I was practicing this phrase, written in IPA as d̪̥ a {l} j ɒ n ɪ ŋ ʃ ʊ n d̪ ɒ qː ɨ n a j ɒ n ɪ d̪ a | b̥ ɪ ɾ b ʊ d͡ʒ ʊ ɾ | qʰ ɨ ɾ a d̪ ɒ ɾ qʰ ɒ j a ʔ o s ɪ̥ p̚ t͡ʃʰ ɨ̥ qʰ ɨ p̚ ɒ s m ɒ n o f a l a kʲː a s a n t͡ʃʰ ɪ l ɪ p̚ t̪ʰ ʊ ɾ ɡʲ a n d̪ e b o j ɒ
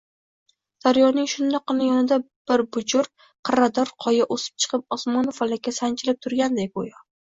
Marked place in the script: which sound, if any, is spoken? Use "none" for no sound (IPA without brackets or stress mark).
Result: ɾ